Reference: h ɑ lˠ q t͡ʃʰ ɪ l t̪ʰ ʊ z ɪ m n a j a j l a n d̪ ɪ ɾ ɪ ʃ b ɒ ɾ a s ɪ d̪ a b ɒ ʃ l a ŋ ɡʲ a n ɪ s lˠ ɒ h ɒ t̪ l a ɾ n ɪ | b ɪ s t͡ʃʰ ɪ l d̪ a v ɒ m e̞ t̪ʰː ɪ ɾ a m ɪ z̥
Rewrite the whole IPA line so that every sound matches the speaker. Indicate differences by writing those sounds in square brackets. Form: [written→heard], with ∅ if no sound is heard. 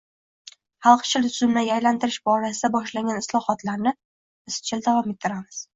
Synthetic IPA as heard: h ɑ lˠ q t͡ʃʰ ɪ l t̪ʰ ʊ z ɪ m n a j a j l a n [d̪→t̪] ɪ ɾ ɪ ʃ b ɒ ɾ a s ɪ d̪ a b ɒ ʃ l a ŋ ɡʲ a n ɪ s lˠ ɒ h ɒ t̪ l a ɾ n ɪ | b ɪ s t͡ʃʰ ɪ l d̪ a v ɒ m e̞ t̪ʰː ɪ ɾ a m ɪ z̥